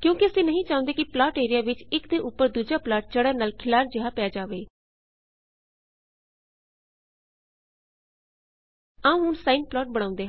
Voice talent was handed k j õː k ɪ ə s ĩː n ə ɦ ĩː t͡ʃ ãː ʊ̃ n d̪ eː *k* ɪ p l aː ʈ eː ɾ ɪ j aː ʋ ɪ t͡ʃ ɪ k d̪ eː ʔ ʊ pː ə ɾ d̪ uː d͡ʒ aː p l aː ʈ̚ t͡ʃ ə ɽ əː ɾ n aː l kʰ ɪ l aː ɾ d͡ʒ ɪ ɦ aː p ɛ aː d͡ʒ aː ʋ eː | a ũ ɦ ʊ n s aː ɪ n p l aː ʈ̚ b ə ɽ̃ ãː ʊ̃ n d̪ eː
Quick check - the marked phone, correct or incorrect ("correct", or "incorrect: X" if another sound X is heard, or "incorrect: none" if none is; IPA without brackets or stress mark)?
correct